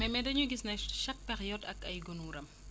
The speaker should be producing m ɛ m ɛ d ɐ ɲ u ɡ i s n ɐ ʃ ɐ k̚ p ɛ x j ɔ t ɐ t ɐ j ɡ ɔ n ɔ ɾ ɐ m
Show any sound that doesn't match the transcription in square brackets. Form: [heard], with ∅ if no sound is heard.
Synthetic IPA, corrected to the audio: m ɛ m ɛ d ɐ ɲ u ɡ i s n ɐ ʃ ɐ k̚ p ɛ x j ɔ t ɐ [k] ɐ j ɡ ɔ n [u] ɾ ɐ m